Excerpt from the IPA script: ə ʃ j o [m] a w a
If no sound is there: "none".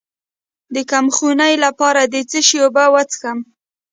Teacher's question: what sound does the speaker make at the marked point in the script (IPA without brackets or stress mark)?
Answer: b